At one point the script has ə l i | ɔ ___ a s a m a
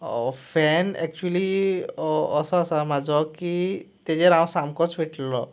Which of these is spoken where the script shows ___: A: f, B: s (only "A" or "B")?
B